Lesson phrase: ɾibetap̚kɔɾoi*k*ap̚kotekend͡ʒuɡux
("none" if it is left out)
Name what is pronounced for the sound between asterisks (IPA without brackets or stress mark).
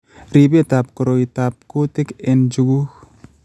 t